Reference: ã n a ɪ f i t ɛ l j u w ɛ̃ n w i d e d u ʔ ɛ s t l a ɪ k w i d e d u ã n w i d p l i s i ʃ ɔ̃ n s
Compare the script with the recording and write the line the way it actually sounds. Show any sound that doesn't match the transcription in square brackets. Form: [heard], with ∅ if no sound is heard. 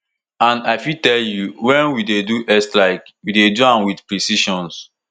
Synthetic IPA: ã n a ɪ f i t ɛ l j u w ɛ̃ n w i d e d u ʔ ɛ s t l a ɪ k w i d e d u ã n w i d p [ɹ] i s i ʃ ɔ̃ n s